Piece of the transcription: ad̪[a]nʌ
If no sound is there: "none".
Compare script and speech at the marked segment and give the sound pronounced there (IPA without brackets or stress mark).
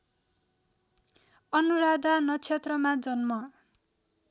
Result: a